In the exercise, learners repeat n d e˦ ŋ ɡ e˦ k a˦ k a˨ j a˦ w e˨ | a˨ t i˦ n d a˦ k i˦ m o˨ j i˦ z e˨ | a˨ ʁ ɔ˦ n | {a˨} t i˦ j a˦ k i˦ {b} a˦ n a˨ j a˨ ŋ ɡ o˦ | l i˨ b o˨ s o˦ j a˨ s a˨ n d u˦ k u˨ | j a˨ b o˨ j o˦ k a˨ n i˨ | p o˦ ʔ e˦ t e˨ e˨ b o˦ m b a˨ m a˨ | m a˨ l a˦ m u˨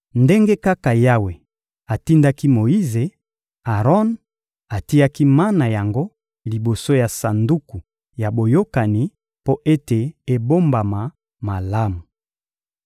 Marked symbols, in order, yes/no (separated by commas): yes, no